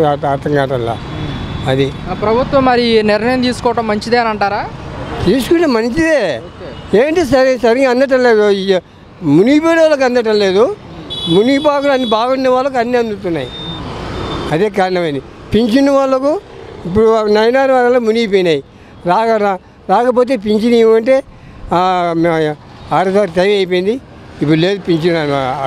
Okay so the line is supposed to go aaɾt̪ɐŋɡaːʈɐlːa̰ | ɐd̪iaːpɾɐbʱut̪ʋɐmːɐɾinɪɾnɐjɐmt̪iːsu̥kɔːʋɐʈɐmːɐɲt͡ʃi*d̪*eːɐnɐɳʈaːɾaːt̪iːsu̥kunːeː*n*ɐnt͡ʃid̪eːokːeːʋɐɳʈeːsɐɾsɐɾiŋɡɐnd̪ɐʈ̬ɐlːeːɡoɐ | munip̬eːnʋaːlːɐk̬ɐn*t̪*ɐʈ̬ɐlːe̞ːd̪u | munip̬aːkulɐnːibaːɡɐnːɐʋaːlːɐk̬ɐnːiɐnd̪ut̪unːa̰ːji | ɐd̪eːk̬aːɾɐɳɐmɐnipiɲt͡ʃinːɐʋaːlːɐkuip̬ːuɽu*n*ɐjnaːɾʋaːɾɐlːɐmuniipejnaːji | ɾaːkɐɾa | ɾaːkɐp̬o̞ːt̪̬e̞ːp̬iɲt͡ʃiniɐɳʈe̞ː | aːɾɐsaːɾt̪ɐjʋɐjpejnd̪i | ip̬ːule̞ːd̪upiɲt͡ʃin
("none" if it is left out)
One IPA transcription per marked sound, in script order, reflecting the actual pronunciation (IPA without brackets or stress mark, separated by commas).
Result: d̪, m, d̪, n